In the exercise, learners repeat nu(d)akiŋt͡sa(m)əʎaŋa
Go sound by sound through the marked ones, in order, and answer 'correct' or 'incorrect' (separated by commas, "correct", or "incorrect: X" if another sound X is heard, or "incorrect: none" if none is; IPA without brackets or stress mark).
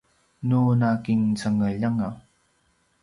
incorrect: n, incorrect: ŋ